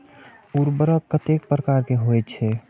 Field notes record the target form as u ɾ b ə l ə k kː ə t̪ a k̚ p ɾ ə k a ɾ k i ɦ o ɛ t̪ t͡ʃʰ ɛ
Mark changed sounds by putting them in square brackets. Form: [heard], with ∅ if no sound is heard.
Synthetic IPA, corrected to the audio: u ɾ b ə [ɾ] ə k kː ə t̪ [e] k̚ p ɾ ə k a ɾ k [e] ɦ o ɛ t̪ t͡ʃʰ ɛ